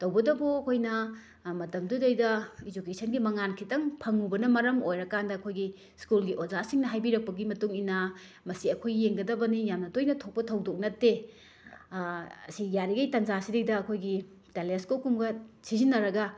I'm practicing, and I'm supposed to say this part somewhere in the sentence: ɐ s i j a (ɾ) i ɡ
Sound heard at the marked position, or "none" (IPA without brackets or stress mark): ɾ